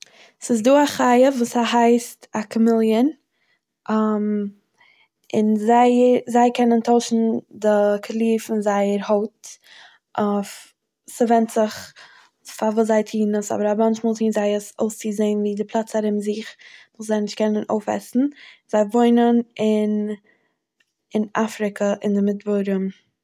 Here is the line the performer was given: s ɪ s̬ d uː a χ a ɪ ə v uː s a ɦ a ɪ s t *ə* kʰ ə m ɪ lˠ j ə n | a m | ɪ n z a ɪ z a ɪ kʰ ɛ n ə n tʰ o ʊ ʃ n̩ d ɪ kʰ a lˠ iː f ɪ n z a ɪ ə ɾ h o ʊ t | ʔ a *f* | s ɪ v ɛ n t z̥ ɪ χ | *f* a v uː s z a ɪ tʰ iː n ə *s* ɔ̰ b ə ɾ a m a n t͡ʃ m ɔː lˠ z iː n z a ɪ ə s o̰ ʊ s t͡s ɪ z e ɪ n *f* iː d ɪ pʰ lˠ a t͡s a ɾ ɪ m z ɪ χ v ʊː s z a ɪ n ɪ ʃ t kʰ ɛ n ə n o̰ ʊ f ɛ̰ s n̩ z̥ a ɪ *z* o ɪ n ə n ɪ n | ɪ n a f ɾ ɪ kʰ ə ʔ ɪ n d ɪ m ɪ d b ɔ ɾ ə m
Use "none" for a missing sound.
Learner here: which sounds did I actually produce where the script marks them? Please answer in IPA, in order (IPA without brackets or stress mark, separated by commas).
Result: a, f, f, s, v, v